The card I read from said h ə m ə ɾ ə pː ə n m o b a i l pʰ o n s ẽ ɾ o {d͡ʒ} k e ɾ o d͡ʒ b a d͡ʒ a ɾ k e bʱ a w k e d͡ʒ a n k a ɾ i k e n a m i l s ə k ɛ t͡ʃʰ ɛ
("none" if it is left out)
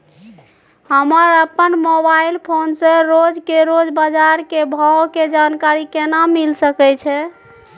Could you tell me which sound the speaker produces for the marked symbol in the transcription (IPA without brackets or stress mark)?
d͡ʒ